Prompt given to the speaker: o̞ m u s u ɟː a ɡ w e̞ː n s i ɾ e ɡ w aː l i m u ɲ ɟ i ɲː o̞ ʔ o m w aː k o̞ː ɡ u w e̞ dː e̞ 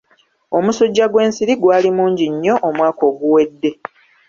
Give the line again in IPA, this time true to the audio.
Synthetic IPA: o̞ m u s u ɟː a ɡ w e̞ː n s i ɾ i ɡ w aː l i m uː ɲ ɟ i ɲː o̞ ʔ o m w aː k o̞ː ɡ u w e̞ dː e̞